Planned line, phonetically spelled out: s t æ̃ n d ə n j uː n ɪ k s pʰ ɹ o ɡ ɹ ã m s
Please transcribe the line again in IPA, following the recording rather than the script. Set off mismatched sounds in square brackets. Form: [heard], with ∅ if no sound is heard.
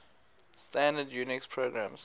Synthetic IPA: s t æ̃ n d ə [d] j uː n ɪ k s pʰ ɹ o ɡ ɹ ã m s